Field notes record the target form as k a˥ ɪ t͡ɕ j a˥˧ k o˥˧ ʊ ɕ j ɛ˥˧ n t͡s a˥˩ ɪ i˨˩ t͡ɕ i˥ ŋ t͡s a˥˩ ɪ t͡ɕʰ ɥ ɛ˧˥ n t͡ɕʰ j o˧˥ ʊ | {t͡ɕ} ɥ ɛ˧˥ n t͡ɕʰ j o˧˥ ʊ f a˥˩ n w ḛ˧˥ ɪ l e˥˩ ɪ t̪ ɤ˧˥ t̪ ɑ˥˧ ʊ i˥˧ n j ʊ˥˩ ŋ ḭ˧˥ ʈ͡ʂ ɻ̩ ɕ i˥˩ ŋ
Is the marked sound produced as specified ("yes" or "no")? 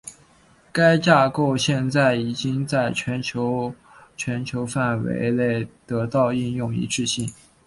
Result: no